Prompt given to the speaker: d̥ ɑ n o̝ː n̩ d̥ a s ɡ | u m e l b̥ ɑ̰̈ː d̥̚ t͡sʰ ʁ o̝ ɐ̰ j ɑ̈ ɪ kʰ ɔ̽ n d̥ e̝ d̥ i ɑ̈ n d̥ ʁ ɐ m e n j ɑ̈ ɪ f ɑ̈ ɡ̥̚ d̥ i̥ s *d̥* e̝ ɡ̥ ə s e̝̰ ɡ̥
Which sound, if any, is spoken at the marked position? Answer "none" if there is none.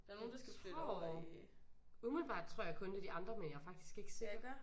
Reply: ɡ̥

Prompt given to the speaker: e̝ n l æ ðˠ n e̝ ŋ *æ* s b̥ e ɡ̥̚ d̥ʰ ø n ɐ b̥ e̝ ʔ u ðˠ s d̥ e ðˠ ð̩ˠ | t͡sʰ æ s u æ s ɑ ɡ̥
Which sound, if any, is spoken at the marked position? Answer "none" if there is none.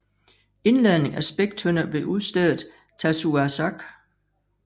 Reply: æ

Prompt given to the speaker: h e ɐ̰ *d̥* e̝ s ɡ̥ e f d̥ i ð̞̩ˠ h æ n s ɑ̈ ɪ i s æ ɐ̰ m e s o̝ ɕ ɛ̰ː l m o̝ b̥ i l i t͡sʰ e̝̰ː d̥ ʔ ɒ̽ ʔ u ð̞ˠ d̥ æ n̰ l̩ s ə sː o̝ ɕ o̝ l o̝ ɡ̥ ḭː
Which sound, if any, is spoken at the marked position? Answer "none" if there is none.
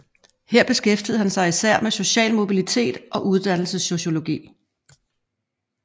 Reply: b̥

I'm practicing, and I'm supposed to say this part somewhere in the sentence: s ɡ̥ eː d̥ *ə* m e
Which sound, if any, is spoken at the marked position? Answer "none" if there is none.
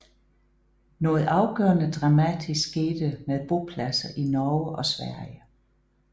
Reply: ə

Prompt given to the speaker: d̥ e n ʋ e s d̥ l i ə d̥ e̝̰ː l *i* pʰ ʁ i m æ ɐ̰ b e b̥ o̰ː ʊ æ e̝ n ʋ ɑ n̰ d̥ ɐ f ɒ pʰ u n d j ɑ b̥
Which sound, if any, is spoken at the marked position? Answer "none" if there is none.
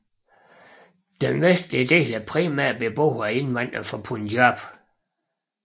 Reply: æ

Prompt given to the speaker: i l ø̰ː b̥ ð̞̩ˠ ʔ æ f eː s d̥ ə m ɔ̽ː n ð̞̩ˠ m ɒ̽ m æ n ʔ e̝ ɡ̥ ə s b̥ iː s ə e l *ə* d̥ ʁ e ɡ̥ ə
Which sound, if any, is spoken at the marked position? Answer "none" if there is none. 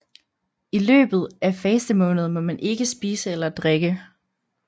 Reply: ɐ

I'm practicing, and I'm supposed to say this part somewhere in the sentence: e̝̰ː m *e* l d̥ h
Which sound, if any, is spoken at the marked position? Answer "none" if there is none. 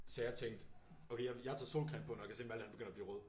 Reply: æ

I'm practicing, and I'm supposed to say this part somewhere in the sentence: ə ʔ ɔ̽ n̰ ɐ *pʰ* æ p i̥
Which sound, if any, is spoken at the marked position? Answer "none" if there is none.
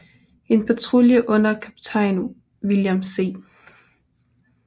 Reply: kʰ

